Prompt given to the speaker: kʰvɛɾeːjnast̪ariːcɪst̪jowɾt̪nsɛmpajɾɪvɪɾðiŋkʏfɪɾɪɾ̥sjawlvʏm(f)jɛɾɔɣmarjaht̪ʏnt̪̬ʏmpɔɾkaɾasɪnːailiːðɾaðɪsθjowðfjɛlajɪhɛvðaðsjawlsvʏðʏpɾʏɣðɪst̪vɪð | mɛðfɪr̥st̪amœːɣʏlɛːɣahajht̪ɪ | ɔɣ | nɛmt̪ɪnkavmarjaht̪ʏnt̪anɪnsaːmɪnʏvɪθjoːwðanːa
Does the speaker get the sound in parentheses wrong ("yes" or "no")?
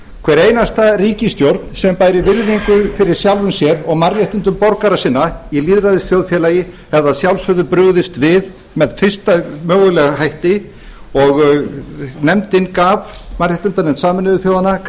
yes